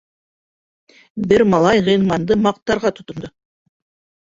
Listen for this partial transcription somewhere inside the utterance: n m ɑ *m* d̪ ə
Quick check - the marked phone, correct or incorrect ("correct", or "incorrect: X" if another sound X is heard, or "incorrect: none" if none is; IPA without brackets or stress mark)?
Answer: incorrect: n